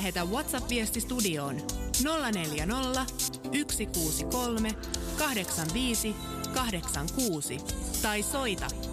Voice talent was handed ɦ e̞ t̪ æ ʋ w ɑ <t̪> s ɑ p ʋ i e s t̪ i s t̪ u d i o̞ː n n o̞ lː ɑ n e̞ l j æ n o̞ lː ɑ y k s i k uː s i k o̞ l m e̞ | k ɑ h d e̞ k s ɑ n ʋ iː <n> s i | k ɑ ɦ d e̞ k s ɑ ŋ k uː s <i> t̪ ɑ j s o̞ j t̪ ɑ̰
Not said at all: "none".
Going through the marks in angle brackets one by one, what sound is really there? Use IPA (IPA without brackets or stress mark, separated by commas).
t̪, none, i